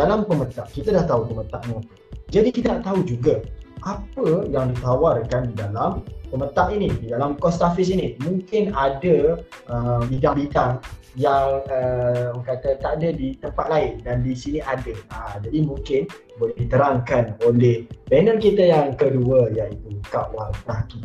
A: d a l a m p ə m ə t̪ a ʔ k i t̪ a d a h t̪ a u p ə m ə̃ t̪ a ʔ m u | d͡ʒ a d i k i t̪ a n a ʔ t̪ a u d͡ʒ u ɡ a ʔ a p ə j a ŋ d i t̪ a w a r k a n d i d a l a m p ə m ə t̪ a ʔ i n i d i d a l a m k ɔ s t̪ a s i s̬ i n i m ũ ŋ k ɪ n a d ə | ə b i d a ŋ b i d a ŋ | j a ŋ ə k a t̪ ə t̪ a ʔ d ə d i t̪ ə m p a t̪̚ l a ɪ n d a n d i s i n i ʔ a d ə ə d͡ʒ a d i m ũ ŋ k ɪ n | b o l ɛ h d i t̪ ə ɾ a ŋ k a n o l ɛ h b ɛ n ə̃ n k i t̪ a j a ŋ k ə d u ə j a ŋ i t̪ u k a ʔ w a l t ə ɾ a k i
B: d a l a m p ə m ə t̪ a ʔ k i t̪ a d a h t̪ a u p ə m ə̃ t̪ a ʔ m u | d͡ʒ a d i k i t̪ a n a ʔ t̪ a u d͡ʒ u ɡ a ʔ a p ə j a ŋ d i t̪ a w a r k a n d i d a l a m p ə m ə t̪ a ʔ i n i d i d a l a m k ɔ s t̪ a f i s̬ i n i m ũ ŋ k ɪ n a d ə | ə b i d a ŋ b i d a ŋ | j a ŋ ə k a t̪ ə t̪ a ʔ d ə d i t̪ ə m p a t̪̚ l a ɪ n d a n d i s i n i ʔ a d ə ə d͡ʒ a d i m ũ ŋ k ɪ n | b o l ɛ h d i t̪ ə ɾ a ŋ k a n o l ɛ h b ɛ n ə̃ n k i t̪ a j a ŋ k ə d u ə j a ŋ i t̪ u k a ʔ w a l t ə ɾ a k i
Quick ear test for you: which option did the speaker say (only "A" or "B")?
B